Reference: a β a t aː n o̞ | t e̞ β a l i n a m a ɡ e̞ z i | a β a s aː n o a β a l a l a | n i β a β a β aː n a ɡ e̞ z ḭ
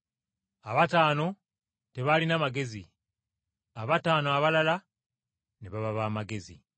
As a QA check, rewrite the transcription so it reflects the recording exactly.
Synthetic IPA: a β a t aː n o̞ | t e̞ β a l i n a m a ɡ e̞ z i | a β a t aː n o a β a l a l a | n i β a β a β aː m a ɡ e̞ z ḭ